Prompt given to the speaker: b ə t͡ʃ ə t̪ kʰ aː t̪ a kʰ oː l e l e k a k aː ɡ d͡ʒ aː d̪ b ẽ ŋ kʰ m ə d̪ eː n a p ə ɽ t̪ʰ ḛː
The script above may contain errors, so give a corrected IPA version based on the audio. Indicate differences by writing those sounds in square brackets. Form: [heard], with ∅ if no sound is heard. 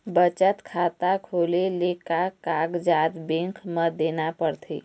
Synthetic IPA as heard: b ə t͡ʃ ə t̪ kʰ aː t̪ a kʰ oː l e l e k a k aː ɡ d͡ʒ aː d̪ b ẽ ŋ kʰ m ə d̪ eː n a p ə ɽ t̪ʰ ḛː